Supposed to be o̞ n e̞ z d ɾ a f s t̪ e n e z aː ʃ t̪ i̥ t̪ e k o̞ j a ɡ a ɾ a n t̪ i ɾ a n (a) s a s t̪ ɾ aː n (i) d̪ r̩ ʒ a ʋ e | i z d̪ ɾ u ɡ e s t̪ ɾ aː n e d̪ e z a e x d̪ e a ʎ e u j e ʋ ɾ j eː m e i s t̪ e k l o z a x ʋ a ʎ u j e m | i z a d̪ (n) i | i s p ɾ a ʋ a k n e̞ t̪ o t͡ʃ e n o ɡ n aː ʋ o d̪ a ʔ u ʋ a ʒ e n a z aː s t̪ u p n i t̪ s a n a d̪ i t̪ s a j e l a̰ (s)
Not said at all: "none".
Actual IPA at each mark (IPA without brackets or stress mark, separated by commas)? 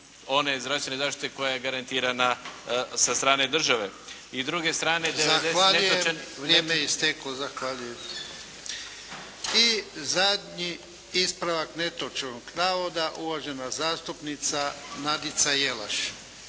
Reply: a, e, ɲ, ʃ